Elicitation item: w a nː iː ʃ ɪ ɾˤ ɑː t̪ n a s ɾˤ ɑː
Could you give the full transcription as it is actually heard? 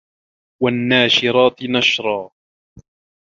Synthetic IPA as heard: w a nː aː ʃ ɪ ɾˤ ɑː t̪ n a ʃ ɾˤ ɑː